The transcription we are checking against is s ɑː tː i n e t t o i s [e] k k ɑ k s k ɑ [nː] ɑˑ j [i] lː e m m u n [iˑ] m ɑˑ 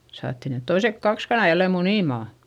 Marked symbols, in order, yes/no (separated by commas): yes, no, no, yes